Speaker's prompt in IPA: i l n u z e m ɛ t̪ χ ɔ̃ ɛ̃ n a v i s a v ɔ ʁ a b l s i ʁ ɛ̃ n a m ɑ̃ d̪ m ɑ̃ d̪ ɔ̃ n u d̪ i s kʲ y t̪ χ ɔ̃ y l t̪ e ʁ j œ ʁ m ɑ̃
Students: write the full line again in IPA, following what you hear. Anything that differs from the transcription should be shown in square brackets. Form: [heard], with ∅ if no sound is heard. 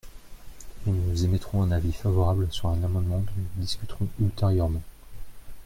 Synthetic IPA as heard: i l n u z e m ɛ t̪ χ ɔ̃ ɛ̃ n a v i [f] a v ɔ ʁ a b l s [y] ʁ ɛ̃ n a m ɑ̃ d̪ m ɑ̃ d̪ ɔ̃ n u d̪ i s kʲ y t̪ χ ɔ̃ y l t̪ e ʁ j œ ʁ m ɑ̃